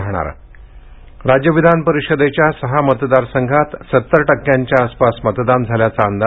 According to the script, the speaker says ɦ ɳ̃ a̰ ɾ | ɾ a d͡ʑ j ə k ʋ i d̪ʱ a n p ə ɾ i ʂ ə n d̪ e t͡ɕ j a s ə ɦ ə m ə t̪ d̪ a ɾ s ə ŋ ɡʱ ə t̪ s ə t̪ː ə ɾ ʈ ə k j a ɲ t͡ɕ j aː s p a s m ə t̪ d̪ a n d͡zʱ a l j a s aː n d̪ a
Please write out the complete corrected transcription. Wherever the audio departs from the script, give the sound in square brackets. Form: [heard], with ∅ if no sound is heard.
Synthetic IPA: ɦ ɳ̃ a̰ ɾ | ɾ a d͡ʑ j ə [∅] ʋ i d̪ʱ a n p ə ɾ i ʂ ə [∅] d̪ e t͡ɕ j a s ə ɦ [a] m ə t̪ d̪ a ɾ s ə ŋ ɡʱ [a] t̪ s ə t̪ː ə ɾ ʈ ə k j a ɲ t͡ɕ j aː s p a s m ə t̪ d̪ a n d͡zʱ a l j a [t͡s] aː n d̪ a